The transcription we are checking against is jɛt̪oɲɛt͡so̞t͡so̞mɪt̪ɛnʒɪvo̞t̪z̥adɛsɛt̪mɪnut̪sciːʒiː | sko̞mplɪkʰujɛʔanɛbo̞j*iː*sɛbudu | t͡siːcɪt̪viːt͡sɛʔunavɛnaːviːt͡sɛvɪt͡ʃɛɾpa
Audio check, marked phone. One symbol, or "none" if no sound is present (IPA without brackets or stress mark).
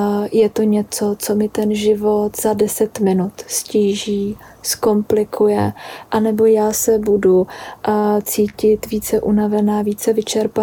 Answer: aː